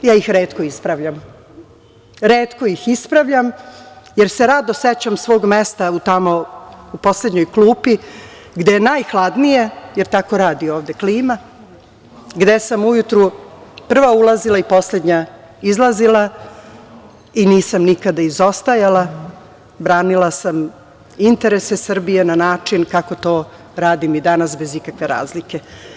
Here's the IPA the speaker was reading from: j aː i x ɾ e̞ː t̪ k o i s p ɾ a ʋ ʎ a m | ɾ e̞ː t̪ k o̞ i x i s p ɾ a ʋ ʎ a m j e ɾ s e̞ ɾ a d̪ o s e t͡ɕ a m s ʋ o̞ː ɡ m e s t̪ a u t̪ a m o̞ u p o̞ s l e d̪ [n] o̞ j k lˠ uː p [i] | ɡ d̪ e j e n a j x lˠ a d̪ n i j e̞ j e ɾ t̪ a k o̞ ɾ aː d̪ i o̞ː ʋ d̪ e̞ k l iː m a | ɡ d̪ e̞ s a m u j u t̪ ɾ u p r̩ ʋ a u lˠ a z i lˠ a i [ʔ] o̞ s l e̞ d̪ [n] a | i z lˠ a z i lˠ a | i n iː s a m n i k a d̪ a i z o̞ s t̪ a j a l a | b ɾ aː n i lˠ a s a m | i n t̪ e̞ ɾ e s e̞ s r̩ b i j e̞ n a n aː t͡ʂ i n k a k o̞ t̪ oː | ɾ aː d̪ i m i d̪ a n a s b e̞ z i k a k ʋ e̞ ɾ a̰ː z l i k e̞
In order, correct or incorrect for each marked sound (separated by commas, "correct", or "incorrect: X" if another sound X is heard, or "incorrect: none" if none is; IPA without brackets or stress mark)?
incorrect: ɲ, correct, incorrect: p, incorrect: ɲ